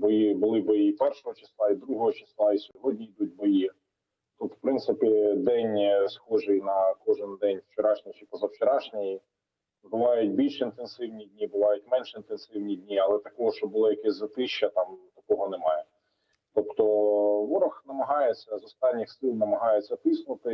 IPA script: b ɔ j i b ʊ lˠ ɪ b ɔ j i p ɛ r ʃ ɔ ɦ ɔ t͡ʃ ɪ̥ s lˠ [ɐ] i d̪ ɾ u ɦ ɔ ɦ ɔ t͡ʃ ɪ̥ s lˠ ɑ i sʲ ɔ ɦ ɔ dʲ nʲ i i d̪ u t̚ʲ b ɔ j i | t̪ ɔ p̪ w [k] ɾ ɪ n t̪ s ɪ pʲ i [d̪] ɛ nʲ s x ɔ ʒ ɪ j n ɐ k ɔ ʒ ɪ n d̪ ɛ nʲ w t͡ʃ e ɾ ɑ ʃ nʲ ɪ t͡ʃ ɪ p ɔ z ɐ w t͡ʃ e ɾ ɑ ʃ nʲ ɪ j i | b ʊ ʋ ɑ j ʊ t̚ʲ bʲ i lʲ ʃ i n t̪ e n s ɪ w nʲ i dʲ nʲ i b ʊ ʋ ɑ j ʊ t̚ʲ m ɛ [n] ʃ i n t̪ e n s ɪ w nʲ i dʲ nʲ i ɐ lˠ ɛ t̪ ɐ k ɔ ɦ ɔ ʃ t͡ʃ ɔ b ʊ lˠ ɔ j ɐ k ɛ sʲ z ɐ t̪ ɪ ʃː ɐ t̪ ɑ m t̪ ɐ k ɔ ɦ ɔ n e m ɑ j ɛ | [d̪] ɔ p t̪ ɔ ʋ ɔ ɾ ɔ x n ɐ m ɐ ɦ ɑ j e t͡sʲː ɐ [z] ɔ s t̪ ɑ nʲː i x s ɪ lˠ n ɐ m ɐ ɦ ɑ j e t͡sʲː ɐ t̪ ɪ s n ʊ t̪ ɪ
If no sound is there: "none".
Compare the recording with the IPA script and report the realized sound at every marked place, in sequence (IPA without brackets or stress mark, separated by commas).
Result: ɑ, p, d̪, n, t̪, z